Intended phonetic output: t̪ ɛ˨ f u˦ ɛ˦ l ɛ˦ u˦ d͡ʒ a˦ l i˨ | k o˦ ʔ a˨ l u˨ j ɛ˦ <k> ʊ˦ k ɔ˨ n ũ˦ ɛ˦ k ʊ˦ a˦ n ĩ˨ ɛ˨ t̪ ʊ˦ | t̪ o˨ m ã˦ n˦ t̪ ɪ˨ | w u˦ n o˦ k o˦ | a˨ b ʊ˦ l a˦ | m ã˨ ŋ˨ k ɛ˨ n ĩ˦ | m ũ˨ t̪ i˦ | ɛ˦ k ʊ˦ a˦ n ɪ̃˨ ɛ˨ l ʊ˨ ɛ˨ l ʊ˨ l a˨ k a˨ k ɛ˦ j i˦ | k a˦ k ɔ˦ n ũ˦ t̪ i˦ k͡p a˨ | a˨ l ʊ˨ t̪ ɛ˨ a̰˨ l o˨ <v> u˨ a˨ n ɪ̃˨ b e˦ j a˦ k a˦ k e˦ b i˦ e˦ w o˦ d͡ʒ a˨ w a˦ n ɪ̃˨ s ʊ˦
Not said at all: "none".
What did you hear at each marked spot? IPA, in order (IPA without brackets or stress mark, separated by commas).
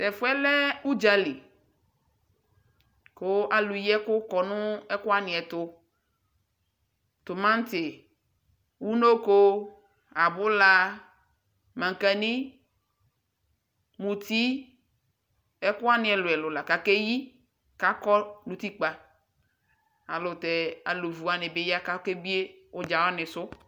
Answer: k, v